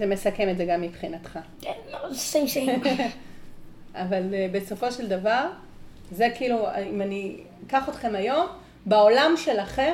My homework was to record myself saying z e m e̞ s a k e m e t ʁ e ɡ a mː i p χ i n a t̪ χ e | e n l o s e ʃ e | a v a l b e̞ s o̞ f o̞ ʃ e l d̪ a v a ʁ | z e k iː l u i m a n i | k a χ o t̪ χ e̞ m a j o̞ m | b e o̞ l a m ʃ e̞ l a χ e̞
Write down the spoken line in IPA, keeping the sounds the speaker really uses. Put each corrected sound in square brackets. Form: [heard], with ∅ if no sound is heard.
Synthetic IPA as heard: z e m e̞ s a k e m e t [z] e ɡ a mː i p χ i n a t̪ χ [a] | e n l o s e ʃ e | a v a l b e̞ s o̞ f o̞ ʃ e l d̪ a v a ʁ | z e k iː l u i m a n i | k a χ o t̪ χ e̞ m a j o̞ m | b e o̞ l a m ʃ e̞ l a χ e̞